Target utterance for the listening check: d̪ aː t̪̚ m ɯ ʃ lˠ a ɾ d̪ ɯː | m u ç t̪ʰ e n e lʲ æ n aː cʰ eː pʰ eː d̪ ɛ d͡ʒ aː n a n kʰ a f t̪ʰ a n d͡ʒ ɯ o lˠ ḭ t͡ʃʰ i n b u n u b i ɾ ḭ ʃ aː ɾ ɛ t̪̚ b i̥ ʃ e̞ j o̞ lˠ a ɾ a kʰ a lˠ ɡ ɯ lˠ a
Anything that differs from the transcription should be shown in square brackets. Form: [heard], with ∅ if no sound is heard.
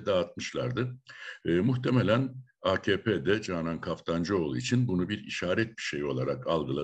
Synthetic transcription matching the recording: d̪ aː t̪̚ m ɯ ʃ lˠ a ɾ d̪ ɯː | m u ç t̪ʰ e [m] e lʲ æ n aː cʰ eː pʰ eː d̪ ɛ d͡ʒ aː n a n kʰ a f t̪ʰ a n d͡ʒ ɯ o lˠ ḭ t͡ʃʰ i n b u n u b i ɾ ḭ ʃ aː ɾ ɛ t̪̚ b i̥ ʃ e̞ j o̞ lˠ a ɾ a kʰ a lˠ ɡ ɯ lˠ a